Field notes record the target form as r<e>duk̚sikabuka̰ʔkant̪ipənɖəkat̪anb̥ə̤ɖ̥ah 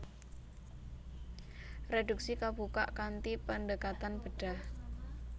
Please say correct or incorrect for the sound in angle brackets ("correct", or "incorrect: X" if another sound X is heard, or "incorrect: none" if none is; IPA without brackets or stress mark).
correct